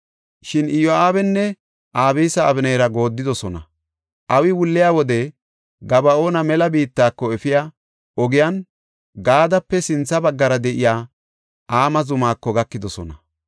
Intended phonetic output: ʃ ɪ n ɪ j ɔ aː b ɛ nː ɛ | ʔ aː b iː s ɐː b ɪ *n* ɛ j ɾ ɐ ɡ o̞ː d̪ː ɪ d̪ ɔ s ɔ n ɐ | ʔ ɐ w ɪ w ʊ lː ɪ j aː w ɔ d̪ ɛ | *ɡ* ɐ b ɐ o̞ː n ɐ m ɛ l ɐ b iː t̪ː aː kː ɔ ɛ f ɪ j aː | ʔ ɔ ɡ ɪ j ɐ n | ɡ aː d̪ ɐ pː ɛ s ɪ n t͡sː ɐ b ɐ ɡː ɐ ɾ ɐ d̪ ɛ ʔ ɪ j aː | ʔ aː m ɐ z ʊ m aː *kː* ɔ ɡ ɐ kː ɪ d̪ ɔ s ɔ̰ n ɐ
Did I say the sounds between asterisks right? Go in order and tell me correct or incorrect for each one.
correct, correct, correct

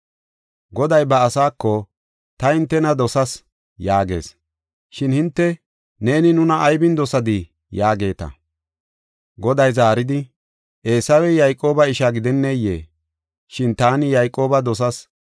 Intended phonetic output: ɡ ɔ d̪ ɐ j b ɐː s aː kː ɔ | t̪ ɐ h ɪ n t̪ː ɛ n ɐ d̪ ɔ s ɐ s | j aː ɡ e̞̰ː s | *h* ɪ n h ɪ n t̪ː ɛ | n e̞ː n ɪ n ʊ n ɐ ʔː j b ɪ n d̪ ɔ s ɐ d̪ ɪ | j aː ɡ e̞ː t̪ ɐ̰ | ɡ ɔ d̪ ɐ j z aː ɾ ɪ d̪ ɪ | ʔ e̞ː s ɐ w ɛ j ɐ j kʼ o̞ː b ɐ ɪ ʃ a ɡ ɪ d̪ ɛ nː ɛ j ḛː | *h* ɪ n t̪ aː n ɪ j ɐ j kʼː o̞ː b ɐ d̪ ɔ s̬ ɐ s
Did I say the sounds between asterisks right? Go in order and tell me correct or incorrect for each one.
incorrect, incorrect

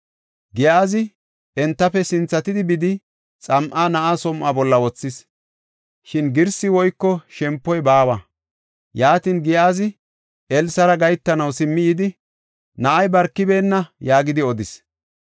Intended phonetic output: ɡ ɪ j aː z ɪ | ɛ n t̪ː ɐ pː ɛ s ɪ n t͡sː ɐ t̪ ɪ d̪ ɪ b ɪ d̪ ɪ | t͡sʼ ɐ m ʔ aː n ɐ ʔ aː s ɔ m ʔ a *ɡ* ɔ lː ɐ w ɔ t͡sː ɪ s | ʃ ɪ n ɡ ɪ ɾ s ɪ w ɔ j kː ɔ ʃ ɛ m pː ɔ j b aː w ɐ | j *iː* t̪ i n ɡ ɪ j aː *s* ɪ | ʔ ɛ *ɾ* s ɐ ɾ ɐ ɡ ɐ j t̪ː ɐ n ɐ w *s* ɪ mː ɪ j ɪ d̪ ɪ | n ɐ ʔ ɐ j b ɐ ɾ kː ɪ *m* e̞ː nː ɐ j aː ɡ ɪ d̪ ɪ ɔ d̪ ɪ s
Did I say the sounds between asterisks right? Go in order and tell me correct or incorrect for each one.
incorrect, incorrect, incorrect, incorrect, correct, incorrect

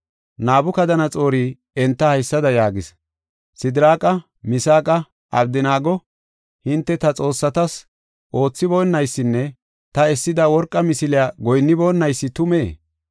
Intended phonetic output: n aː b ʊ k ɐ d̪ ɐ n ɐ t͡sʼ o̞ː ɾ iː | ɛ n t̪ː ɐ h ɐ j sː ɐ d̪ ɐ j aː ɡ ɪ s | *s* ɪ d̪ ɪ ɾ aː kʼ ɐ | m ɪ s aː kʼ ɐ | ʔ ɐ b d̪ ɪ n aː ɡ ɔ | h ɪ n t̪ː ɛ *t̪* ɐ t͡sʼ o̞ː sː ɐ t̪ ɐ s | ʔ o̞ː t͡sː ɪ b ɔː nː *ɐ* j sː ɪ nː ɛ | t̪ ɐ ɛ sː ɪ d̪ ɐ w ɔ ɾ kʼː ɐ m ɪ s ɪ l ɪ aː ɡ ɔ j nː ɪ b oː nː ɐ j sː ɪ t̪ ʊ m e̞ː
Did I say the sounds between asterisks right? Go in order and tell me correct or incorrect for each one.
correct, correct, correct

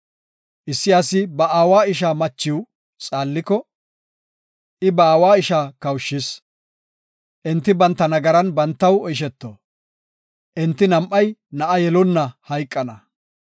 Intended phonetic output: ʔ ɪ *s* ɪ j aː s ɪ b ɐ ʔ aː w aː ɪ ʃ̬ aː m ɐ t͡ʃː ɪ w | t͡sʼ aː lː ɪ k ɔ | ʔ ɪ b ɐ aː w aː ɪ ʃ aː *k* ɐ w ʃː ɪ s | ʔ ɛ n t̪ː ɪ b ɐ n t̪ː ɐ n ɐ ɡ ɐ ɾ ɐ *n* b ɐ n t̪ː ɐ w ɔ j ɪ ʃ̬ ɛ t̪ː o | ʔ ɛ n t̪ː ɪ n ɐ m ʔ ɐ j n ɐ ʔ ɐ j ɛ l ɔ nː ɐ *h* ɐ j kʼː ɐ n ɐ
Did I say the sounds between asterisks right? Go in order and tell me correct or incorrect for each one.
incorrect, correct, correct, correct

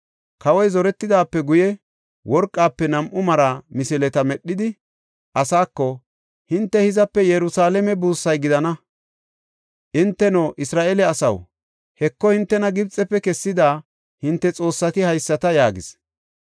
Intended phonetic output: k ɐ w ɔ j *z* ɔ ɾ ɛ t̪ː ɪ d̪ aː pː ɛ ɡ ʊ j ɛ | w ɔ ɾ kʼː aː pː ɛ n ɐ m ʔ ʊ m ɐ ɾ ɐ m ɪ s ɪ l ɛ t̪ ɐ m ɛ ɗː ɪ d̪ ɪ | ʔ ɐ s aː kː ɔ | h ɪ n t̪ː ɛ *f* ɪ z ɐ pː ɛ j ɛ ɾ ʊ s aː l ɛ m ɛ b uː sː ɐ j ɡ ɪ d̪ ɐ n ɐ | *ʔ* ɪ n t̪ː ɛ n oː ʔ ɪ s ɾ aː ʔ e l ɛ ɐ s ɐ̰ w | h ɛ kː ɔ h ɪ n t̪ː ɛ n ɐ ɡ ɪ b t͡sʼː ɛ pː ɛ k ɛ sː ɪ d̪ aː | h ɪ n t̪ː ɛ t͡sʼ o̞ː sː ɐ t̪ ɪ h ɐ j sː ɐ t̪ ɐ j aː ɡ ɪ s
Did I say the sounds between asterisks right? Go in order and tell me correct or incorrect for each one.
correct, incorrect, correct

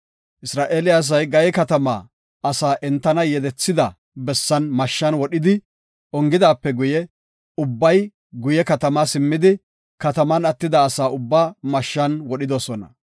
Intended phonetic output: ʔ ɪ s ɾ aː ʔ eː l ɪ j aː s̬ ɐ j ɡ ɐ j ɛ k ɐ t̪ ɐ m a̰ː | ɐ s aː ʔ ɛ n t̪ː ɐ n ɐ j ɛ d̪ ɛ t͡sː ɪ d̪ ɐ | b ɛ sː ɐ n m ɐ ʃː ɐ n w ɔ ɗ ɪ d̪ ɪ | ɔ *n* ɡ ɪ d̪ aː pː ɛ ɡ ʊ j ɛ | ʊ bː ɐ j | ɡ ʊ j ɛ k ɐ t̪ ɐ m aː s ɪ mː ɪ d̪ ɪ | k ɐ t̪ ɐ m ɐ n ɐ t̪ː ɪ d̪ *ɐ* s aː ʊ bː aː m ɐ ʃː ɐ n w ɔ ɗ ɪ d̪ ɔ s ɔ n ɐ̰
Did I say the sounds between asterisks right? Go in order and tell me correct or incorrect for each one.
incorrect, incorrect

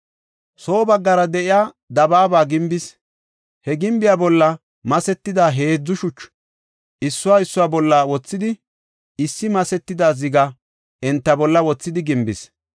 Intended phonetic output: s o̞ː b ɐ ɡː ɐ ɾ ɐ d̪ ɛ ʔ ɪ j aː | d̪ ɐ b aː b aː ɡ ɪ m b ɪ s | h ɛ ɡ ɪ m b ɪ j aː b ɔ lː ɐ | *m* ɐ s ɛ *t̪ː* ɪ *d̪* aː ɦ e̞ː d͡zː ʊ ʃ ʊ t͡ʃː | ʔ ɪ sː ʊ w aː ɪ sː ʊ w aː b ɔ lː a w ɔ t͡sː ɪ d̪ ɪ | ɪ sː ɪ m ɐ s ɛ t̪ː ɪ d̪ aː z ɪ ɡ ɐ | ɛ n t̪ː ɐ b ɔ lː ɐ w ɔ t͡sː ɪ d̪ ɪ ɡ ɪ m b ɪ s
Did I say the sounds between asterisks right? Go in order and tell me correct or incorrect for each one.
correct, correct, correct

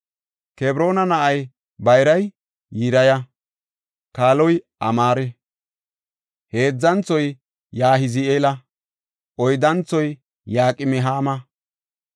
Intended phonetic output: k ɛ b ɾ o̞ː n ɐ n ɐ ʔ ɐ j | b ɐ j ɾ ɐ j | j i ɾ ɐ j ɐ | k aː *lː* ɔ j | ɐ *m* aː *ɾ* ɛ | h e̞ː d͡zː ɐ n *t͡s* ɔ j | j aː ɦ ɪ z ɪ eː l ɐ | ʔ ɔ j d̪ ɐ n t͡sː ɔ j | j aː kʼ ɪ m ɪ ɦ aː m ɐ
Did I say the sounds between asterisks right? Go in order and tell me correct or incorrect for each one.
incorrect, correct, correct, correct

